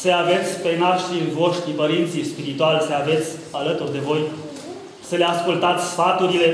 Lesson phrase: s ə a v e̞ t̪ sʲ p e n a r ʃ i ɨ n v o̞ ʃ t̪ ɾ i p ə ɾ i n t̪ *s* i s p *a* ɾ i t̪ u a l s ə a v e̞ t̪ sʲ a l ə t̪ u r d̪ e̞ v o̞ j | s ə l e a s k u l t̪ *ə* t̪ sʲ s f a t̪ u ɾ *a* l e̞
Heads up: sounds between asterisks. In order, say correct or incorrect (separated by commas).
correct, incorrect, incorrect, incorrect